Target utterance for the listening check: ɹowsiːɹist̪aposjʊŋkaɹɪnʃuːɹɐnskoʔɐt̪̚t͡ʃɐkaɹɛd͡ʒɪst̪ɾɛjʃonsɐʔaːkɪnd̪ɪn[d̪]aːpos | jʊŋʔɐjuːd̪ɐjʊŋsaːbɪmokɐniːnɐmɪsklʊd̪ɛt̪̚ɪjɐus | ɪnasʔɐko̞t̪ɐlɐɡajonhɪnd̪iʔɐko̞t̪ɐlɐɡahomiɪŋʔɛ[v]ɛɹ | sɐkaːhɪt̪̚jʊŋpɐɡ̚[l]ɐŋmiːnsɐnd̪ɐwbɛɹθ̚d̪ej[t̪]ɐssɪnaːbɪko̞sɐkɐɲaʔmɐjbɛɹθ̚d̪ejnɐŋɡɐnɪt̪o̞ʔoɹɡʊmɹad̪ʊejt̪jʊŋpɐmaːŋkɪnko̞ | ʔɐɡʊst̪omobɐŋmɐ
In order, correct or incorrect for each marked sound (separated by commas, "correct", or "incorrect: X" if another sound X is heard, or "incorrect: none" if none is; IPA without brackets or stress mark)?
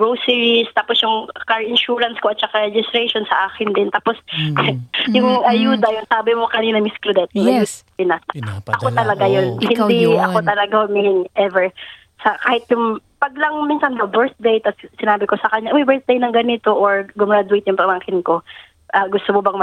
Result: incorrect: t̪, correct, correct, correct